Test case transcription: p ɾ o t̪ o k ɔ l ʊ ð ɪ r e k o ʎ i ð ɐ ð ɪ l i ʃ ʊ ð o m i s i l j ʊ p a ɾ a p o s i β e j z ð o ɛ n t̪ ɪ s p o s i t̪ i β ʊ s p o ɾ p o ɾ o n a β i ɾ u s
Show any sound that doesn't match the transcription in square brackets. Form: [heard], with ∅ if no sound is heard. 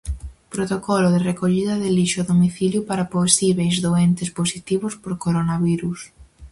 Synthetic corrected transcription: p ɾ o t̪ o k ɔ l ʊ ð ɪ r e k o ʎ i ð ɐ ð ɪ l i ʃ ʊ ð o m i [θ] i l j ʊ p a ɾ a p o s i β e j z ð o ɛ n t̪ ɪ s p o s i t̪ i β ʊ s p o ɾ [k] o ɾ o n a β i ɾ u s